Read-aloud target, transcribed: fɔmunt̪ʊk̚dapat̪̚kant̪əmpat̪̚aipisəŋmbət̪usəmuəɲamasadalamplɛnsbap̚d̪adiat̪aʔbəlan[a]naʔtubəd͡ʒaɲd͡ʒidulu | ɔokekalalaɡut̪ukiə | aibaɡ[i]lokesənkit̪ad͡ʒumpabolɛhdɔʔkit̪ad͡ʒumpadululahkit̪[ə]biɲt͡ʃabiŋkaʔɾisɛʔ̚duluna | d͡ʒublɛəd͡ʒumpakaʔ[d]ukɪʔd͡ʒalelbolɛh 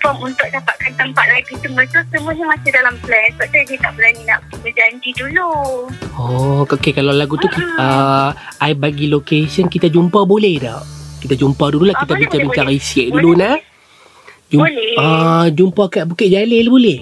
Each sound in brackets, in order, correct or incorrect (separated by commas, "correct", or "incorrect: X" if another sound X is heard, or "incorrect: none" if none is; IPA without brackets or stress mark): incorrect: i, correct, incorrect: a, incorrect: b